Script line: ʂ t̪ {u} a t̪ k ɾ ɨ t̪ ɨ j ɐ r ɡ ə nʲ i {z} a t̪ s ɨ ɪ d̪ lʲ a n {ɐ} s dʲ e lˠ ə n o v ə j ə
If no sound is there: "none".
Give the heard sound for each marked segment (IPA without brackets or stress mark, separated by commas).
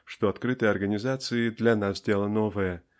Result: o, z, a